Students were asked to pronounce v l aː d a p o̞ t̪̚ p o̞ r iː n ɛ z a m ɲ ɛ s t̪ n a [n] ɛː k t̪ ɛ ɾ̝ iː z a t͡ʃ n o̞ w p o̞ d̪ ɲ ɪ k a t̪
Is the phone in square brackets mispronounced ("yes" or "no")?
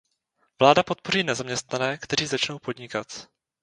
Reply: no